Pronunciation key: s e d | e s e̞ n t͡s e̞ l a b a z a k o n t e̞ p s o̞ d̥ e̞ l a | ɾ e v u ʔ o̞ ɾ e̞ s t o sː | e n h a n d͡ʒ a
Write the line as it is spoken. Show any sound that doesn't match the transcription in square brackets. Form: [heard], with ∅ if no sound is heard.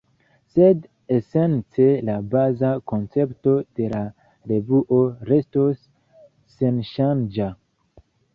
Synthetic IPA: s e d | e s e̞ n t͡s e̞ l a b a z a k o n [t͡s] e̞ p [t] o̞ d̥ e̞ l a | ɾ e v u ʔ o̞ ɾ e̞ s t o sː | e n [ʃ] a n d͡ʒ a